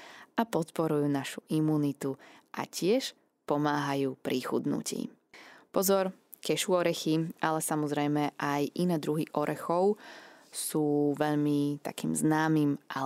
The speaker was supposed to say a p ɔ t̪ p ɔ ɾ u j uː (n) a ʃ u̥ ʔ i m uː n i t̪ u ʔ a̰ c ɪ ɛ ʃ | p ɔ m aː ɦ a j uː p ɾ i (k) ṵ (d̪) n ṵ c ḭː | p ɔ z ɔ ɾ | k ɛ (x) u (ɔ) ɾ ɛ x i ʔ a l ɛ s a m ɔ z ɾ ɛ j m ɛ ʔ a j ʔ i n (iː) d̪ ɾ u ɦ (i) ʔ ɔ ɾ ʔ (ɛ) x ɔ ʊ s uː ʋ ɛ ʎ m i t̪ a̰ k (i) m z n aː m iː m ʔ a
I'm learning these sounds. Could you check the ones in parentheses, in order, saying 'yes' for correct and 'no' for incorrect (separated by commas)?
yes, no, yes, no, yes, no, yes, yes, no